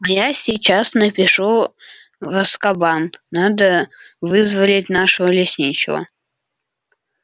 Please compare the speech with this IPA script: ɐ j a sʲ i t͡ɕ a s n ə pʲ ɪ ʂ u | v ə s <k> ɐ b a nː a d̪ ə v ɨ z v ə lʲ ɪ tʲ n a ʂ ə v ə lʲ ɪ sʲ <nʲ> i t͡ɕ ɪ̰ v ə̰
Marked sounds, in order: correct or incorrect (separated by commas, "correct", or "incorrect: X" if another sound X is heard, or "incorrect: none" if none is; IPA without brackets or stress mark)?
correct, correct